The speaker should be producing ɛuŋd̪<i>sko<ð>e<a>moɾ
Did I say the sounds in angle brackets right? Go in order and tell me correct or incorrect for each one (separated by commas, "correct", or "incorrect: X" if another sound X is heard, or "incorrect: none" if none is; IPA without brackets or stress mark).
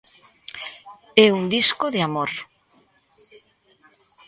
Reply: correct, correct, correct